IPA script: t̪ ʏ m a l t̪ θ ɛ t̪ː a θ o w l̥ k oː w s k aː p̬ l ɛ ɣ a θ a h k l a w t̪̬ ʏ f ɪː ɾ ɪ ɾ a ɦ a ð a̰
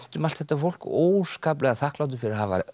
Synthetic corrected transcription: t̪ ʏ m a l t̪ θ ɛ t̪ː a f o w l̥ k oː w s k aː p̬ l ɛ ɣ a θ a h k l a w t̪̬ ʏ f ɪ ɾ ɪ ɾ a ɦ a v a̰